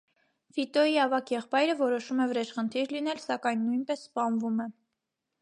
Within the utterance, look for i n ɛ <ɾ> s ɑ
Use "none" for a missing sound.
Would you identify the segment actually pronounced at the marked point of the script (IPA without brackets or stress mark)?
l